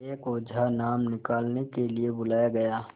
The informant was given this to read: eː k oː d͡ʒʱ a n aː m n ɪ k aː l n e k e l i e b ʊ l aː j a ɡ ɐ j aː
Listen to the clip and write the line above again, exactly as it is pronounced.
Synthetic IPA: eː k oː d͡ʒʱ a n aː m n ɪ k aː l n e k e l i e b ʊ l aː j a ɡ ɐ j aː